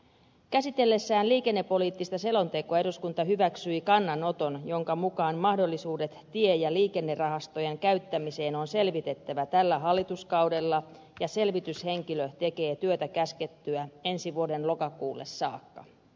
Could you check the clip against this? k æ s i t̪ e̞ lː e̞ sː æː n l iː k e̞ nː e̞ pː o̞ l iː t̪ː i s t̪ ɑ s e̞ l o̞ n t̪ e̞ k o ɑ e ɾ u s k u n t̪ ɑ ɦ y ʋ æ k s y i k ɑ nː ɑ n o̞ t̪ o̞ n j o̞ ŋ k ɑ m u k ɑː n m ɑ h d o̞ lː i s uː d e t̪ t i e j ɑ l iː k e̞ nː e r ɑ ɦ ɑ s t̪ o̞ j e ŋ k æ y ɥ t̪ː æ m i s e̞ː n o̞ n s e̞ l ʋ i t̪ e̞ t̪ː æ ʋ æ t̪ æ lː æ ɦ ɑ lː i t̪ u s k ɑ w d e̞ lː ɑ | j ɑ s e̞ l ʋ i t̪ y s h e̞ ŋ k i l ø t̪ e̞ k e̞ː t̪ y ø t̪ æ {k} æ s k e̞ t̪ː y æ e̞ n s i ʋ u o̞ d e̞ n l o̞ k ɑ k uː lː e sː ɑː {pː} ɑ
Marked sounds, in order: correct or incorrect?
correct, incorrect: kː

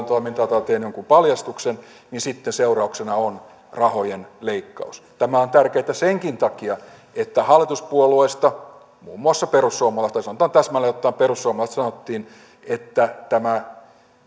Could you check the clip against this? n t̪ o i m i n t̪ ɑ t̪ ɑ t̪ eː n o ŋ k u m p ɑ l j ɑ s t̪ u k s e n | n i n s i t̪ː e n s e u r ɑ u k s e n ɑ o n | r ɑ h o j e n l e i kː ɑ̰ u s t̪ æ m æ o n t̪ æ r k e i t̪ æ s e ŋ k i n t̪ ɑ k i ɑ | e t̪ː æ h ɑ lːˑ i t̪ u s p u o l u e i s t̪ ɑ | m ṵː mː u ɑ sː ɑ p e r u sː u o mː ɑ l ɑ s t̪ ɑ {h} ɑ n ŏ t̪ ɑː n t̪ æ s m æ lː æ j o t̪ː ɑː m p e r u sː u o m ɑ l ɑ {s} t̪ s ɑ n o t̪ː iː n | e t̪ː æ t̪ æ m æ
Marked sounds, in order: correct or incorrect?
incorrect: s, correct

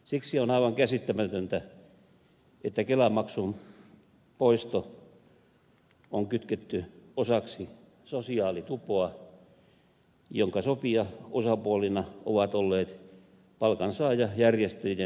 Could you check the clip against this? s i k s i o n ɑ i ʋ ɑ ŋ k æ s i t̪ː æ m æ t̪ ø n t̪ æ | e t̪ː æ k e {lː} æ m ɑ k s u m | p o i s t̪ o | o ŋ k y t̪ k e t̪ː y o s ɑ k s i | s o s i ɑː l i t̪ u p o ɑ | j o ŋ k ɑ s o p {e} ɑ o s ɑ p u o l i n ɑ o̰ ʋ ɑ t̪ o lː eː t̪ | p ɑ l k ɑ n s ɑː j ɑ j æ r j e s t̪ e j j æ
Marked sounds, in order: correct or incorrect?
incorrect: l, incorrect: i

